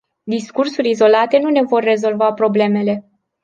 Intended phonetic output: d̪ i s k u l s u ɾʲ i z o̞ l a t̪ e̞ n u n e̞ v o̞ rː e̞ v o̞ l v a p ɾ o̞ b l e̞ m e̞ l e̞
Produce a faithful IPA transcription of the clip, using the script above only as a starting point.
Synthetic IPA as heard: d̪ i s k u r s u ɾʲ i z o̞ l a t̪ e̞ n u n e̞ v o̞ rː e̞ z o̞ l v a p ɾ o̞ b l e̞ m e̞ l e̞